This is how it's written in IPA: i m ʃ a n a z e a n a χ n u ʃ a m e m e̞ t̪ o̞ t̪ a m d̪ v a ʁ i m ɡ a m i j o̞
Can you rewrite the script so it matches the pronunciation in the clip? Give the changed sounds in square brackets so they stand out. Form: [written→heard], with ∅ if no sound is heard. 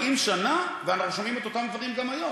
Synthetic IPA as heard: i m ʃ a n a [z→v] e a n a χ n u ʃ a m [e→i] m e̞ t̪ o̞ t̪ a m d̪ v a ʁ i m ɡ a m [i→a] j o̞